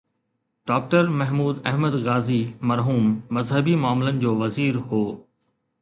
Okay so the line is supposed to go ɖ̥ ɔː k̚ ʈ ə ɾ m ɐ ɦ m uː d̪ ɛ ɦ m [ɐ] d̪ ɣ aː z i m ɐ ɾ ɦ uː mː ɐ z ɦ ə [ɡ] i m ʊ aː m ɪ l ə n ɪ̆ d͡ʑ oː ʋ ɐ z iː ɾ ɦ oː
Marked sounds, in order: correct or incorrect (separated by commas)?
incorrect, incorrect